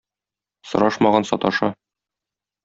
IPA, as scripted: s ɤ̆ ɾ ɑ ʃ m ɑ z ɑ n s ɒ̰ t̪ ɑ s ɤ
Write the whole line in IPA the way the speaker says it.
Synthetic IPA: s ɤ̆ ɾ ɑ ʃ m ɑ ʁ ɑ n s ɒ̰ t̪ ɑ ʃ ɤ